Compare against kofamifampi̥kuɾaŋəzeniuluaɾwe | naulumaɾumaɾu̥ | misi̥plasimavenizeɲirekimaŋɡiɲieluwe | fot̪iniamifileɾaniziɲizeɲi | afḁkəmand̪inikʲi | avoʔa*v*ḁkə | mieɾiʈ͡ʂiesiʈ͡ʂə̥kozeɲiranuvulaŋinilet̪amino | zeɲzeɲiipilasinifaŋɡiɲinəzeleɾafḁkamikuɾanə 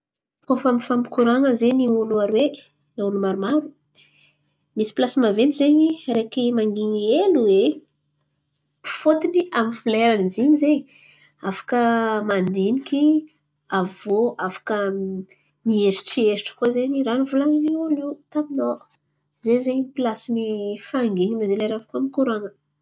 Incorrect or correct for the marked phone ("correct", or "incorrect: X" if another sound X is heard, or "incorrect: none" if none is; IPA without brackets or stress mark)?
incorrect: f